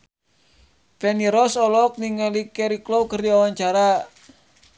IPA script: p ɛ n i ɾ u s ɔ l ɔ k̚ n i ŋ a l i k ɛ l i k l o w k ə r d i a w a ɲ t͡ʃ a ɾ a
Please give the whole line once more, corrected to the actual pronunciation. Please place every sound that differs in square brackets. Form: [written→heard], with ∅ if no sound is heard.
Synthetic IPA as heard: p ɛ n i ɾ [u→ɔ] s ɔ l ɔ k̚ n i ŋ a l i k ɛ [l→ɾ] i k l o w k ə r d i a w a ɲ t͡ʃ a ɾ a